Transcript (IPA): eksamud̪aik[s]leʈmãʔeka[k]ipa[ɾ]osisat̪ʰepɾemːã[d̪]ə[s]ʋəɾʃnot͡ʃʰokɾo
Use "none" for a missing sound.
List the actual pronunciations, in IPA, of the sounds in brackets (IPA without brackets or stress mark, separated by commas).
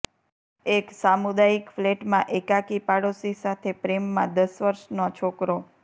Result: f, k, ɽ, d̪, s